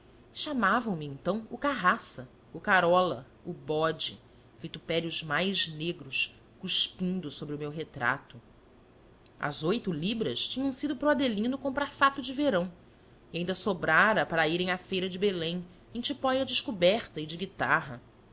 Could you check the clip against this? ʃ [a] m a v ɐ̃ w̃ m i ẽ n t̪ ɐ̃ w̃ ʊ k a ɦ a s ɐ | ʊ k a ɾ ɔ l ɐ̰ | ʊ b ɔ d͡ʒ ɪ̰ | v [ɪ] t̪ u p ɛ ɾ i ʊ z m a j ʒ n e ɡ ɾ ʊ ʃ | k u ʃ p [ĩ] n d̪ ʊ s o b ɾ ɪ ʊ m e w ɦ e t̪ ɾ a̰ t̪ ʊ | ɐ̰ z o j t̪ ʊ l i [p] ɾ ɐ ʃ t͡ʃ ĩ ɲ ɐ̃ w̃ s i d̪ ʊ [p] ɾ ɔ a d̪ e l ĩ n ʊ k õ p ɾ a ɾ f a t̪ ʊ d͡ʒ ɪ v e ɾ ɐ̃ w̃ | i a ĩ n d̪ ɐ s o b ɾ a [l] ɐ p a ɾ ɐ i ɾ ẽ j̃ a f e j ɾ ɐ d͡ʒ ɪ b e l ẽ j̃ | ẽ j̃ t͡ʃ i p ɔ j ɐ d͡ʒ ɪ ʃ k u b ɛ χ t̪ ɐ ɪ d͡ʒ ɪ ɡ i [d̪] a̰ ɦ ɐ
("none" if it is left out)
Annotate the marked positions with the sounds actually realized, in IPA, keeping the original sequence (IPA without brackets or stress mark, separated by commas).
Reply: a, i, ĩ, b, p, ɾ, t̪